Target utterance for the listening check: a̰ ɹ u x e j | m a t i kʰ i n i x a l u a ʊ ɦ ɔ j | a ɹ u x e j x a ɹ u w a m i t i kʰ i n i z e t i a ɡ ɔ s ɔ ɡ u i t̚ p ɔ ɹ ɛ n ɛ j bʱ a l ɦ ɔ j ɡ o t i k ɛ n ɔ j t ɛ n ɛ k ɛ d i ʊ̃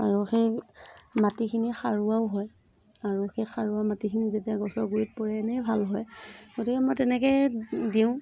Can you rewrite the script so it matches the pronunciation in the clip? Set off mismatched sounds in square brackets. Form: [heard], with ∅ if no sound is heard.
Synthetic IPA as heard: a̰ ɹ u x e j | m a t i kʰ i n i x a [ɹ] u a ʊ ɦ ɔ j | a ɹ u x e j x a ɹ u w a m [a] t i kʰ i n i z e t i a ɡ ɔ s ɔ ɡ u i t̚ p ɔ ɹ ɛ n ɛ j bʱ a l ɦ ɔ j ɡ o t i k ɛ [m] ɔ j t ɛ n ɛ k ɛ d i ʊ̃